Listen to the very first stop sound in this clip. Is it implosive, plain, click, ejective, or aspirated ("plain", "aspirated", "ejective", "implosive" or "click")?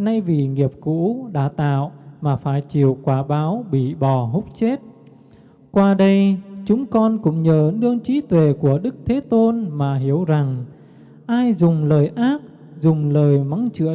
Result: plain